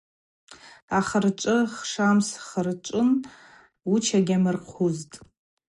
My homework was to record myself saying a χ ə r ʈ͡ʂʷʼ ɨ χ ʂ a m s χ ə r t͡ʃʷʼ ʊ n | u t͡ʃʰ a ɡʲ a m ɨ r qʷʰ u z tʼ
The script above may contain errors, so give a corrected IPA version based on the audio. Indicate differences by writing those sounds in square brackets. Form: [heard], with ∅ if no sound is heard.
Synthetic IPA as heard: a χ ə r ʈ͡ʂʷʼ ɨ χ ʂ a m s χ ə r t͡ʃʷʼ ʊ n | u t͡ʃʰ a ɡʲ a m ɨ r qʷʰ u z tʼ